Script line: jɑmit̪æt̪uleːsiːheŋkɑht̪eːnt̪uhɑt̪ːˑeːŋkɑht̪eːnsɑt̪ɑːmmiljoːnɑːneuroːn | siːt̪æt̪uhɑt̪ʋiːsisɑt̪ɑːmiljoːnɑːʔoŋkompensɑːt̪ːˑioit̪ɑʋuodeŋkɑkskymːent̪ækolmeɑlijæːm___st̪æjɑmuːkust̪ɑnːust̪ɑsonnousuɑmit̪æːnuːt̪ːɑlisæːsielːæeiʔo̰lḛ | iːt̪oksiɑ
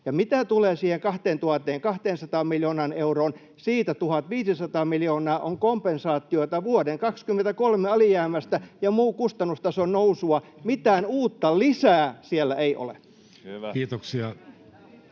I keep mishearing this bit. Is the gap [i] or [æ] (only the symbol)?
æ